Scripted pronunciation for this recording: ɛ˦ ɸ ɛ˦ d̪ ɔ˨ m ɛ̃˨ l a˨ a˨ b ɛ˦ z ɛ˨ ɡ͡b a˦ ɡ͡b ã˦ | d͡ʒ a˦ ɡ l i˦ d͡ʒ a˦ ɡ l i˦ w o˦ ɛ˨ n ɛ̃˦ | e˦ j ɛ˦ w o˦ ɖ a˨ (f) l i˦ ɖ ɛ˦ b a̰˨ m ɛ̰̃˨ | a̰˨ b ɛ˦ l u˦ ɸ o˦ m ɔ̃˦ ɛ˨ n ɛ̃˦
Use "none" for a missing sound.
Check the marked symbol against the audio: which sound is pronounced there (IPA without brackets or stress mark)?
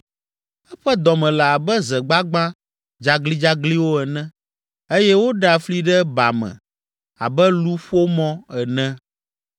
f